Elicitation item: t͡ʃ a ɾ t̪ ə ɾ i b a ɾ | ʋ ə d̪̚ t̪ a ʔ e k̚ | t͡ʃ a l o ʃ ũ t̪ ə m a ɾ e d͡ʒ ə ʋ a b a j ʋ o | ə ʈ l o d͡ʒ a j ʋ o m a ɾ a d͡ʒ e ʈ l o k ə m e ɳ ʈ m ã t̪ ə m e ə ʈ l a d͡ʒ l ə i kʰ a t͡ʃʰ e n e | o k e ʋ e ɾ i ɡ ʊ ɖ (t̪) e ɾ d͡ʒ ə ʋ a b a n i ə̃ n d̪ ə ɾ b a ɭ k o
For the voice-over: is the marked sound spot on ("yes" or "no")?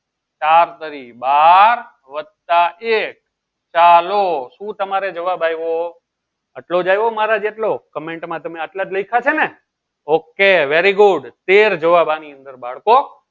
yes